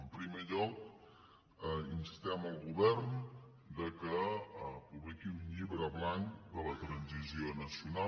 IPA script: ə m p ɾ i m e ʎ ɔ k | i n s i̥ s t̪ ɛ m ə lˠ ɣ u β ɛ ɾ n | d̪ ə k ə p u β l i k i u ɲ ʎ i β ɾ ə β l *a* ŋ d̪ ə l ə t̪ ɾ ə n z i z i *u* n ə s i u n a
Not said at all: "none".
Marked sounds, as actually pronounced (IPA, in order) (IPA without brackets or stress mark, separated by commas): a, o